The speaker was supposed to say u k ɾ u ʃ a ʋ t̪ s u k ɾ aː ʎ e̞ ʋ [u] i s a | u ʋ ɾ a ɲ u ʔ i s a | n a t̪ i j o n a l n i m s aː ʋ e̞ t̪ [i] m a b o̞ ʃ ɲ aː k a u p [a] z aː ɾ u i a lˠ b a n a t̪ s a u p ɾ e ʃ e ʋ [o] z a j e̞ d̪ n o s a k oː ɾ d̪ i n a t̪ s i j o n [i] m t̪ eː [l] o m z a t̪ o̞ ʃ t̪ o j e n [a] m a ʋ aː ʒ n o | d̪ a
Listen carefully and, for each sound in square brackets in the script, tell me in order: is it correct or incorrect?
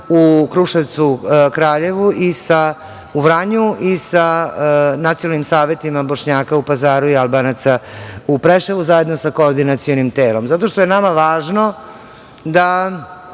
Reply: correct, correct, correct, incorrect: u, correct, correct, correct

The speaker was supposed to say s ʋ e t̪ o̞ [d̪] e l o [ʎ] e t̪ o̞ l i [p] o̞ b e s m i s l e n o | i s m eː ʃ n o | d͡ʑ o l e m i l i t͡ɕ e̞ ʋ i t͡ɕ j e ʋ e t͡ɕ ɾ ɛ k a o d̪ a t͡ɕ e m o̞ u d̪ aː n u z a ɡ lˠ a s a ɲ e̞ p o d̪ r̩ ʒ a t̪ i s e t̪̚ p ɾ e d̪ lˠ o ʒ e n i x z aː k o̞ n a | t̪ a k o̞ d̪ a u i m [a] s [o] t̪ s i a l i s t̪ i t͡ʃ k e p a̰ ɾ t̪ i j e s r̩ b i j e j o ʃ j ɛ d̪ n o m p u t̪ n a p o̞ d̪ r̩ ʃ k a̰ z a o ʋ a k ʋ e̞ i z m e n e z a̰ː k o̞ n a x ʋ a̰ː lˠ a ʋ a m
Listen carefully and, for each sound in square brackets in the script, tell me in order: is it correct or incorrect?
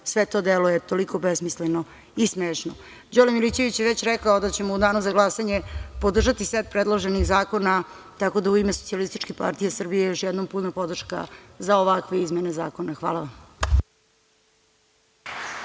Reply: correct, incorrect: j, incorrect: k, incorrect: e, correct

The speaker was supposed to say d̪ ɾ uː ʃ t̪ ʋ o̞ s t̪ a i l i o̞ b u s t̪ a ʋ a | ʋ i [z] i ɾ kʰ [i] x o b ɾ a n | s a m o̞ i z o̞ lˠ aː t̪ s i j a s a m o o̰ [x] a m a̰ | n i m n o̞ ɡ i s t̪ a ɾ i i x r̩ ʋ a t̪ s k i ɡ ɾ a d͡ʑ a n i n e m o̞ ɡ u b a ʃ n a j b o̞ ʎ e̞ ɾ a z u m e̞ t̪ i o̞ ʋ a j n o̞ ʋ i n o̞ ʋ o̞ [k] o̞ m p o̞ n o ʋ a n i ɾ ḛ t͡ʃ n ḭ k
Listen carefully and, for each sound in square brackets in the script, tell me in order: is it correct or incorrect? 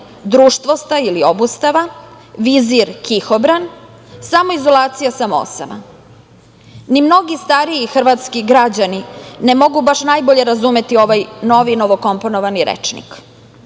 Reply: correct, correct, incorrect: s, correct

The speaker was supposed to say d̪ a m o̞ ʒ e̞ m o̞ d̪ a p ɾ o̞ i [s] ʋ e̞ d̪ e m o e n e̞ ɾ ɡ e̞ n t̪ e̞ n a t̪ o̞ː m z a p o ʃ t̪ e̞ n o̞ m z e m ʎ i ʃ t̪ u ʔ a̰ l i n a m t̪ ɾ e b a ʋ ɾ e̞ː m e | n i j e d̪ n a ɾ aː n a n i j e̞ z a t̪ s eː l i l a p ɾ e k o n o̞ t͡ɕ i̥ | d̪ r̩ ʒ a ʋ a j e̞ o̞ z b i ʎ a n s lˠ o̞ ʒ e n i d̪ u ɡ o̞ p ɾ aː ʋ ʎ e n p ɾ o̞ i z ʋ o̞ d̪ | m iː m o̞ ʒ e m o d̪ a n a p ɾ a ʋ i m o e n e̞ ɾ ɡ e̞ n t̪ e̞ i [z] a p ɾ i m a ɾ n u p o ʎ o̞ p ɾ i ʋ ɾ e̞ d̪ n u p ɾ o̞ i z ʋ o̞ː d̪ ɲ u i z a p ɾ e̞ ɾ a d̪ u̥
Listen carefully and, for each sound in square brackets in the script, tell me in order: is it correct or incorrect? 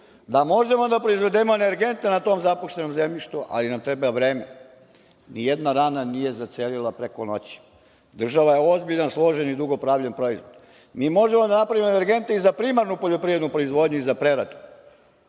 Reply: incorrect: z, correct

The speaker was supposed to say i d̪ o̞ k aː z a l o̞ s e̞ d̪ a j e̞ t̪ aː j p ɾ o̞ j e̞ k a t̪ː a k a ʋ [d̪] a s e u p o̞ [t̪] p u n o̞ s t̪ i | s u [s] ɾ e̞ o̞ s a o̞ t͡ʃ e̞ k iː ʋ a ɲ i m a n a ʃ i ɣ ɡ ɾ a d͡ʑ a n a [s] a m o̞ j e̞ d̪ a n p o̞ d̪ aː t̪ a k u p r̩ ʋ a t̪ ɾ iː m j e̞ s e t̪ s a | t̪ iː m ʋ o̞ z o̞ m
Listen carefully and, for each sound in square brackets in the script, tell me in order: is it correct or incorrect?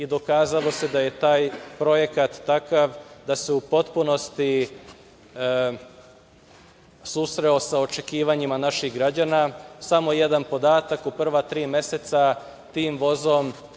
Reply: correct, correct, correct, correct

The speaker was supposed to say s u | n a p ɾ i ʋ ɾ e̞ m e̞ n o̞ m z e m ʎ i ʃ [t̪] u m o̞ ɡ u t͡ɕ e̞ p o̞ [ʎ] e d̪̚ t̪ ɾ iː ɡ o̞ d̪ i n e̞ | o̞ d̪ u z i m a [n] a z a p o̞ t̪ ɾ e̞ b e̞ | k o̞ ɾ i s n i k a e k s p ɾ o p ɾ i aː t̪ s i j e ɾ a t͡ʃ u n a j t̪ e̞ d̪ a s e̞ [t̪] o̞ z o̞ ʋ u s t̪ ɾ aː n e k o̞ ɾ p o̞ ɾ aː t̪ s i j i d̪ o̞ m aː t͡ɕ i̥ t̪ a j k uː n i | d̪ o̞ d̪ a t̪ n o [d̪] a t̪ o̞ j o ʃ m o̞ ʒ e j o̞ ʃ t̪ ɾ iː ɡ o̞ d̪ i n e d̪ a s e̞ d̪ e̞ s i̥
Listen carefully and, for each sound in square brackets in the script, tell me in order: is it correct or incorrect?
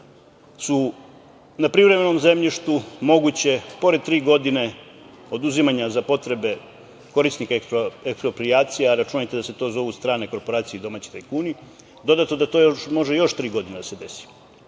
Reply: correct, incorrect: ɾ, incorrect: ɲ, correct, correct

